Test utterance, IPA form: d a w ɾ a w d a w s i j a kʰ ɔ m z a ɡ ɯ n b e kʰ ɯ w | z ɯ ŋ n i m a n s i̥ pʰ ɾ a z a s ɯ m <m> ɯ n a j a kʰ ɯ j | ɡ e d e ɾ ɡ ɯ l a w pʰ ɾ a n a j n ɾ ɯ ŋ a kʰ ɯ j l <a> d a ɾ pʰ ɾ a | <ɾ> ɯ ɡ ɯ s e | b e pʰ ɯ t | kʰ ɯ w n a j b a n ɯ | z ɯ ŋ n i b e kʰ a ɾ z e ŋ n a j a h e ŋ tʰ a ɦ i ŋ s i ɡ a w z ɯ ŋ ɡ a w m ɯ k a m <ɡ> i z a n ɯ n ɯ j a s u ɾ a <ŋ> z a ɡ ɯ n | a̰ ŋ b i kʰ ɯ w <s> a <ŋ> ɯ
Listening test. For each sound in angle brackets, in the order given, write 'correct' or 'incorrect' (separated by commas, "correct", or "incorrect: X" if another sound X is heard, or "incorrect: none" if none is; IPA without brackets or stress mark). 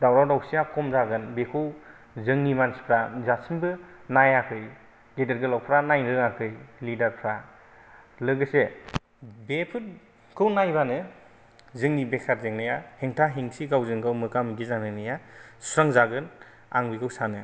incorrect: b, incorrect: i, incorrect: l, correct, correct, correct, incorrect: n